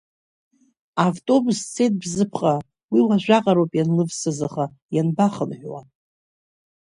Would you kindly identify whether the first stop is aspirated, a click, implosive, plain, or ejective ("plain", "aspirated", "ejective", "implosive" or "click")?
ejective